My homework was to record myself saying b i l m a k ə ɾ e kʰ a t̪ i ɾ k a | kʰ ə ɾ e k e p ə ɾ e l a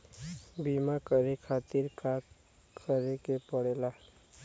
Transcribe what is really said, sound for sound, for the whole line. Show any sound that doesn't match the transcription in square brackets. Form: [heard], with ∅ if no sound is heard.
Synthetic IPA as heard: b i [∅] m a k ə ɾ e kʰ a t̪ i ɾ k a | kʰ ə ɾ e k e p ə [ɽ] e l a